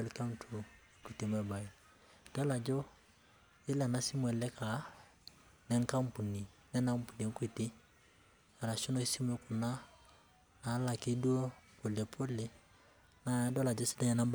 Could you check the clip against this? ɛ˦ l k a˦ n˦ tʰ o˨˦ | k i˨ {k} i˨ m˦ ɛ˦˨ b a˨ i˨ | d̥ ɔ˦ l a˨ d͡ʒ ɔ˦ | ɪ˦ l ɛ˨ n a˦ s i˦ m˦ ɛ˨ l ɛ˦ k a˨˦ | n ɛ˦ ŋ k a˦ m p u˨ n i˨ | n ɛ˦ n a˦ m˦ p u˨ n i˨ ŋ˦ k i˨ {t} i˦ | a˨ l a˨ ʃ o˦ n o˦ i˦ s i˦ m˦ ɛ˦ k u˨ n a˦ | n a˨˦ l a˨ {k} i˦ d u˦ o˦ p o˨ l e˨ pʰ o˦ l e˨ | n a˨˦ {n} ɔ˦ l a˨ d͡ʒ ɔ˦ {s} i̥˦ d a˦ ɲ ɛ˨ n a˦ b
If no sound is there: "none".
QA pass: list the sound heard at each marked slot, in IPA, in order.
t, t, k, d, s

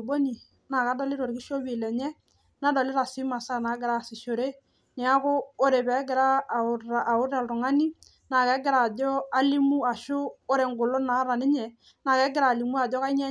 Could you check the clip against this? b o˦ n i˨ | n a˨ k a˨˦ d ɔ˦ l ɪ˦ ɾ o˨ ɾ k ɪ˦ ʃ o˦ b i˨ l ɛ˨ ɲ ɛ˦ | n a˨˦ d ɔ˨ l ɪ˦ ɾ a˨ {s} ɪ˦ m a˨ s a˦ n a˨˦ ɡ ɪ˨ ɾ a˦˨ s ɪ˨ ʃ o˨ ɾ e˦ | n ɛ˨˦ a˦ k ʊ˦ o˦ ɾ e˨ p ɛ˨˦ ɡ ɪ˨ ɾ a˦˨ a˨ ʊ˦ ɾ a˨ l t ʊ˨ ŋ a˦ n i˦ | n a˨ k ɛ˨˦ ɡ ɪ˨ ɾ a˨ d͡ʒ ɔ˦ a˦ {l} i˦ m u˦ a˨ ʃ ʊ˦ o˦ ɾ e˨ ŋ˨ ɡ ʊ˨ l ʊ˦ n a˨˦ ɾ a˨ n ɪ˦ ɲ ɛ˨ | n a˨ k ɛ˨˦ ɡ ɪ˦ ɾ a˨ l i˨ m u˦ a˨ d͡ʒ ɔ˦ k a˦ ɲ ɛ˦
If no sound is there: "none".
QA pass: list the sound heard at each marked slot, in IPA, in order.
s, l

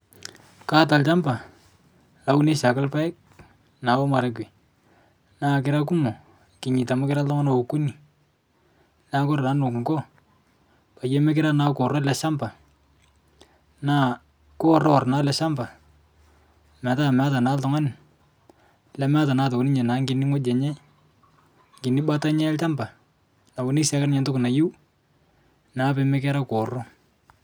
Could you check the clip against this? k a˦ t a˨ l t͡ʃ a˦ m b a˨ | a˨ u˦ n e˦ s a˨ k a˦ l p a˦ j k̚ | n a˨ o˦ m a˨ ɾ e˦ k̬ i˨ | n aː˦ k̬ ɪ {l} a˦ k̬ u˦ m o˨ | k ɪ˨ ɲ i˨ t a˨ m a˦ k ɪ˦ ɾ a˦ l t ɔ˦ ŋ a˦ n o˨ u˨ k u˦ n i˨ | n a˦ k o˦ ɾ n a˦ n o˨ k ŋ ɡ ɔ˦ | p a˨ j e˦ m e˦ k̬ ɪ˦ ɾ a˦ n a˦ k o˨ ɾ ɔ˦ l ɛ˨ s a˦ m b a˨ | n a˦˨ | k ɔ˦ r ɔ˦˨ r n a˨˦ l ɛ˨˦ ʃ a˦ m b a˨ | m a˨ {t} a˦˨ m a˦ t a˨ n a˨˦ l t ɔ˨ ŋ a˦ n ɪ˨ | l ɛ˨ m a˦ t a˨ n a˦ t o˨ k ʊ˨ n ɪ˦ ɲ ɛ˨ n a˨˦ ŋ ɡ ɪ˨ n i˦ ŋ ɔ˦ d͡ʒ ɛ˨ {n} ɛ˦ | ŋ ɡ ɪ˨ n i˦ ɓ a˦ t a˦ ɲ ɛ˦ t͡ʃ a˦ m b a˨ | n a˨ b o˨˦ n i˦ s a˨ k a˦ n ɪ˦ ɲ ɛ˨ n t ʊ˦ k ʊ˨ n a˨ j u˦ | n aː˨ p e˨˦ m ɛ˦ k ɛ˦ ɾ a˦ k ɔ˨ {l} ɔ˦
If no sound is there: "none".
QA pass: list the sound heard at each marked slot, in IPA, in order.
ɾ, t, ɲ, r

